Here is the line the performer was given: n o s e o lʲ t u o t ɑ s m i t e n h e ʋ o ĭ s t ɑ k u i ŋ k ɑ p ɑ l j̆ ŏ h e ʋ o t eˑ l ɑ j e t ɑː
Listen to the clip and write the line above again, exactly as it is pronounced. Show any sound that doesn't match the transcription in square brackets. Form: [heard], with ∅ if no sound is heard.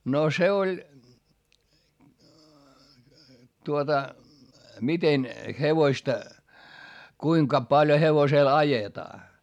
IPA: n o s e o lʲ t u o t ɑ [∅] m i t e n h e ʋ o ĭ s t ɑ k u i ŋ k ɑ p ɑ l j̆ ŏ h e ʋ o [s] eˑ l ɑ j e t ɑː